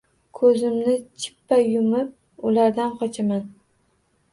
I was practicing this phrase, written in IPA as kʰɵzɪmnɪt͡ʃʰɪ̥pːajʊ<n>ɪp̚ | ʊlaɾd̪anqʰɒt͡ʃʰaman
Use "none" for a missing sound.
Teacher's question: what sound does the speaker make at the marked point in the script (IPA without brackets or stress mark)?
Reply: m